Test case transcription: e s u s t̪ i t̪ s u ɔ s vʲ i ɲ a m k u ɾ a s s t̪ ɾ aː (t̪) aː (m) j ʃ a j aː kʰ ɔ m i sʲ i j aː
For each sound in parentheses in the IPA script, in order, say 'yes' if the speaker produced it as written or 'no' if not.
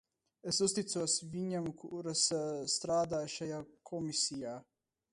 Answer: no, no

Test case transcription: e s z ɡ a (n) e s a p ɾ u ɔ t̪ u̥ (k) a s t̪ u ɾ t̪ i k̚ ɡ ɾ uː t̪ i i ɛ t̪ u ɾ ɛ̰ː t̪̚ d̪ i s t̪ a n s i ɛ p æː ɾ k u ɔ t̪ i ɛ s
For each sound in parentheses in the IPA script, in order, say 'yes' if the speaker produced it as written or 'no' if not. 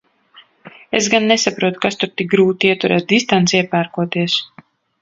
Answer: no, yes

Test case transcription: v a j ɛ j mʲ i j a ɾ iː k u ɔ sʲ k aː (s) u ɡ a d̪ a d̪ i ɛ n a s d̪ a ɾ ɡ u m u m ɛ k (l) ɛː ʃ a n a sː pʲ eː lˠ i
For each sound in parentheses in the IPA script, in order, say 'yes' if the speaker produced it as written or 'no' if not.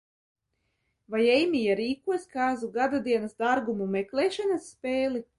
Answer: no, yes

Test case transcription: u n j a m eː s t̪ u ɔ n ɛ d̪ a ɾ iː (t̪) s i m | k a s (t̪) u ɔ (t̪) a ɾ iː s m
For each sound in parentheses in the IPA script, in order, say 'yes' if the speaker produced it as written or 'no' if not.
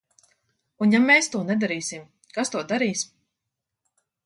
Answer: no, yes, no

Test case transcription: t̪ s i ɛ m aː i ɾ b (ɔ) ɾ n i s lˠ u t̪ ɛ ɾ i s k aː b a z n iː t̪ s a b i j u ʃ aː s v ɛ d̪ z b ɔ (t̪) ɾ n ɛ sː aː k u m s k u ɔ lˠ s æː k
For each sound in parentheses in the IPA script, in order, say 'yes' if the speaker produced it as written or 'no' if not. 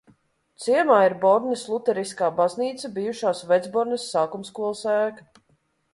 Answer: yes, no

